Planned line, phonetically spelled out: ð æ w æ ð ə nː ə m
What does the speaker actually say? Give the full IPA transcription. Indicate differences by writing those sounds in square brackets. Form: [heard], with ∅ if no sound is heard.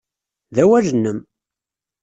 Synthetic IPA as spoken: ð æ w æ [ʒ] ə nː ə m